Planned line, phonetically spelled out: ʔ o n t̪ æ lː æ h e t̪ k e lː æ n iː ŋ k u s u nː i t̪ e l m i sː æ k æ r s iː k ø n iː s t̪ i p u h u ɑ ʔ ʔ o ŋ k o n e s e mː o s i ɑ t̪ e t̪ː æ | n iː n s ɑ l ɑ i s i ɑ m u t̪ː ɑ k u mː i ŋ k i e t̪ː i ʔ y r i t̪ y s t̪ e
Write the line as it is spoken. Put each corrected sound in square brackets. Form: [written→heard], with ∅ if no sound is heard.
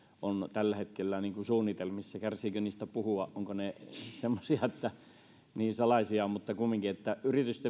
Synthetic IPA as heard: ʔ o n t̪ æ lː æ h e t̪ k e lː æ n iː ŋ k u s [u→uː] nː i t̪ e l m i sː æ k æ r s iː k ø n iː s t̪ [i→æ] p u h u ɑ ʔ ʔ o ŋ k o n e s e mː o s i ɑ [t̪→∅] e t̪ː æ | n iː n s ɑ l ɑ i s i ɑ m u t̪ː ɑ k u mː i ŋ k i e t̪ː [i→æ] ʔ y r i t̪ y s t̪ e